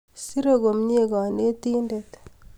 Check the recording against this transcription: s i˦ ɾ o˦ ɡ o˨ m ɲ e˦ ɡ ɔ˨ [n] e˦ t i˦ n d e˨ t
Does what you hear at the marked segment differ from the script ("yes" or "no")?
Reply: no